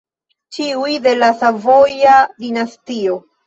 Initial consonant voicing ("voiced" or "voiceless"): voiceless